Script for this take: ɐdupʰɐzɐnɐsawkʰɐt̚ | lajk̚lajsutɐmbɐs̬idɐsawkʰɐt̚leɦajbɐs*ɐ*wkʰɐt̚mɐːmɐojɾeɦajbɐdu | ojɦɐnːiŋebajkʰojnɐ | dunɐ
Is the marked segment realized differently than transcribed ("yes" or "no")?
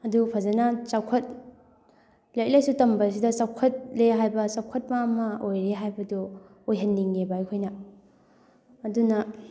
yes